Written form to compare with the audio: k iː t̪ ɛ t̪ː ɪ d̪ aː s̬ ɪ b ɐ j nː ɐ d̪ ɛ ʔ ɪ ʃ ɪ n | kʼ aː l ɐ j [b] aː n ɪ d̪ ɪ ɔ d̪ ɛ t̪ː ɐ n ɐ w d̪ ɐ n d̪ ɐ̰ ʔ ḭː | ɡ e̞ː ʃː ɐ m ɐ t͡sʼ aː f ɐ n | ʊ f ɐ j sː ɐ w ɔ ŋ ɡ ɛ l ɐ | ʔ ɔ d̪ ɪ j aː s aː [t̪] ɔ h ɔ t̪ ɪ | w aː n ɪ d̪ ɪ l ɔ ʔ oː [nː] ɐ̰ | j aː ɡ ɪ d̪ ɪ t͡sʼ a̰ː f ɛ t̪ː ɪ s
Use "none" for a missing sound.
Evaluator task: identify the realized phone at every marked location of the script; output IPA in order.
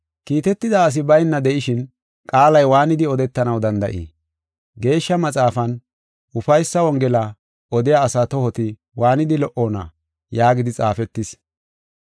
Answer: w, t̪, n

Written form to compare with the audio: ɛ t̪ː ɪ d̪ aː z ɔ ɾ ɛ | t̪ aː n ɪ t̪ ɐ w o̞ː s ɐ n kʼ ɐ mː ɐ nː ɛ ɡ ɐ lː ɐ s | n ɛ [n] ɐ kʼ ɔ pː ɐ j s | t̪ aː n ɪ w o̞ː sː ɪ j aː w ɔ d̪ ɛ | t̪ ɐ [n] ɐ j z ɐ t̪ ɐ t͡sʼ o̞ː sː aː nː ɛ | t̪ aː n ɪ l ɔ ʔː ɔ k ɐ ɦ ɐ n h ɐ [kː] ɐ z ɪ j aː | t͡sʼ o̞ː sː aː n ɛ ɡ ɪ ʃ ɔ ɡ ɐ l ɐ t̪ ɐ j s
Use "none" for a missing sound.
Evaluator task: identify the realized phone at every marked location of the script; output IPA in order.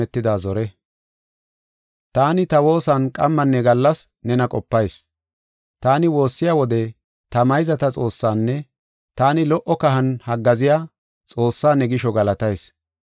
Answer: n, m, ɡː

